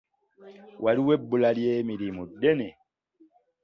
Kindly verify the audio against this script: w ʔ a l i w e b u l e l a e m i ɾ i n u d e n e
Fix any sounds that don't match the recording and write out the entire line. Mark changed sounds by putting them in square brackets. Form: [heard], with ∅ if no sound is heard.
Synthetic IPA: w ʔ a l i w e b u l [a] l [i] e m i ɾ i [m] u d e n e